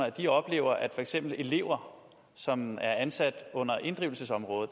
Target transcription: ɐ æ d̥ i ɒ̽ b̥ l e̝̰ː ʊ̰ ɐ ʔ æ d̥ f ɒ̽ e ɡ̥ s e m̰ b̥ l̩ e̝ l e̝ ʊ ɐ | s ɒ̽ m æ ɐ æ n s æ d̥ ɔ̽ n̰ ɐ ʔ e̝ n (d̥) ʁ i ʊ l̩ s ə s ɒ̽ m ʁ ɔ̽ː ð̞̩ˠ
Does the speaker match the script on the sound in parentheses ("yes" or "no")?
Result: yes